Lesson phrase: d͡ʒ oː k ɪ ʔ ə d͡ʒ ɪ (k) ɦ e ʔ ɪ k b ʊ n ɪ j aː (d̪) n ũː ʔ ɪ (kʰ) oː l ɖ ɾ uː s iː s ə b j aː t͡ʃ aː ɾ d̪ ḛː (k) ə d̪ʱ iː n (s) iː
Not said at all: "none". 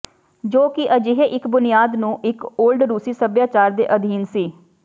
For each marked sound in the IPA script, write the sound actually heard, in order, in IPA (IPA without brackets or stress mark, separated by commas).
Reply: none, d̪, k, ʔ, s